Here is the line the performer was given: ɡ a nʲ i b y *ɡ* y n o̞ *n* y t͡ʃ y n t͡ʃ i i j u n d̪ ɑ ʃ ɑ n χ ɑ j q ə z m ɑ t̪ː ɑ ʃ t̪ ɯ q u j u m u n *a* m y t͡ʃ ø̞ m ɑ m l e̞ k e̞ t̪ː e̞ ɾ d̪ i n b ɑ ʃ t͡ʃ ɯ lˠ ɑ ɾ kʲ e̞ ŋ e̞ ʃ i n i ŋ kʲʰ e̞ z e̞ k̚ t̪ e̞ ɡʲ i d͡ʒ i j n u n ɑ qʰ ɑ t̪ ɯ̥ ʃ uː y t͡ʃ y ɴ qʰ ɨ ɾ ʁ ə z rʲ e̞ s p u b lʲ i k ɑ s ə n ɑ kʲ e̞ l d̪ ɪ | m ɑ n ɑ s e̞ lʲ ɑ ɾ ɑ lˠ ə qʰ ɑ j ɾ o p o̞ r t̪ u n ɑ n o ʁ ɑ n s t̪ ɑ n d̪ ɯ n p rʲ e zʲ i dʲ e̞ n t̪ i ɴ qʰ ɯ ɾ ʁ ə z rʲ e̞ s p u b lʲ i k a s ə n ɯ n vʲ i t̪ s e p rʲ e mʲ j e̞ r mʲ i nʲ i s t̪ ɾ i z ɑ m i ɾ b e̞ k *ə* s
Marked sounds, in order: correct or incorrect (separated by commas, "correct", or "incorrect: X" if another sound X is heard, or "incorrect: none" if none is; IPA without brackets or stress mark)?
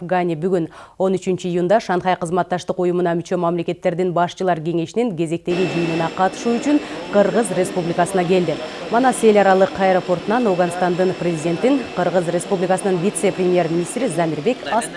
correct, correct, incorrect: ɑ, incorrect: ɑ